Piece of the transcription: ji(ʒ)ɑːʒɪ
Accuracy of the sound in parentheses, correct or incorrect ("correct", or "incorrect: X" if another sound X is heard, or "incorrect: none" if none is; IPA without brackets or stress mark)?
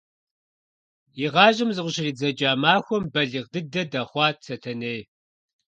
incorrect: ʁ